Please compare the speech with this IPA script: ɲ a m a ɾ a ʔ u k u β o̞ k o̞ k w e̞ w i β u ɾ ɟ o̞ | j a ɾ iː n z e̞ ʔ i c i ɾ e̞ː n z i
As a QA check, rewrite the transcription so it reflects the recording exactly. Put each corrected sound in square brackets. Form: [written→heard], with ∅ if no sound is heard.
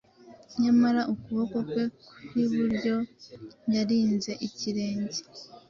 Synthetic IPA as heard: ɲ a m a ɾ a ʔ u k u β o̞ k o̞ k w e̞ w i β u ɾ ɟ o̞ | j a ɾ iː n z e̞ ʔ i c i ɾ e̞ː [n→ɲ] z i